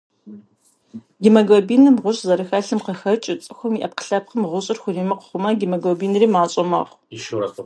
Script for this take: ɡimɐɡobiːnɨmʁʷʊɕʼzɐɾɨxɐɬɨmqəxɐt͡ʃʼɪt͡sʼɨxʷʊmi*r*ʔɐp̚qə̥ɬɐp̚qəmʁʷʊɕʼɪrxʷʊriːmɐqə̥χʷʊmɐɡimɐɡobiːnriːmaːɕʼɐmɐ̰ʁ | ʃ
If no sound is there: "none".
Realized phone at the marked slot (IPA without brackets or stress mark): none